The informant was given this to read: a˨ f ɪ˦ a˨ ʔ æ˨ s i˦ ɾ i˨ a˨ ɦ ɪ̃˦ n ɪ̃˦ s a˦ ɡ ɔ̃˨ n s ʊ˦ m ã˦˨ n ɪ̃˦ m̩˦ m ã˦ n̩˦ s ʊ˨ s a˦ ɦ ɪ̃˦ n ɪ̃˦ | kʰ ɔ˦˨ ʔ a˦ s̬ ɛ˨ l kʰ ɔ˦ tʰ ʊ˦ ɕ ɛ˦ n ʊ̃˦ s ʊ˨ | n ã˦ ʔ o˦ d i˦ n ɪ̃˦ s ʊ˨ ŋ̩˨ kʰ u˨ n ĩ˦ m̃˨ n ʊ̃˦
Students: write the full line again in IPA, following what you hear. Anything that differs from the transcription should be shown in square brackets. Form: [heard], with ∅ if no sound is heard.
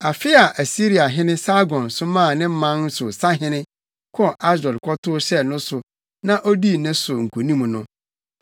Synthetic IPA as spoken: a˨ f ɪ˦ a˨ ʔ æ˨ s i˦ ɾ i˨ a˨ ɦ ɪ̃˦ n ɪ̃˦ s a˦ ɡ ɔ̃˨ n s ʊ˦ m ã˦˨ n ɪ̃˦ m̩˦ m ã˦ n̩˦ s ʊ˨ s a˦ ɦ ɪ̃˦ n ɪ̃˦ | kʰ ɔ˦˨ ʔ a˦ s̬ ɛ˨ l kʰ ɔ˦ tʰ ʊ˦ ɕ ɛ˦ n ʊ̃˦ s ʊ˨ | n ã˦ ʔ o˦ d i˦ n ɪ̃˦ s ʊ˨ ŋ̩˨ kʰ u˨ n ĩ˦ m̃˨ n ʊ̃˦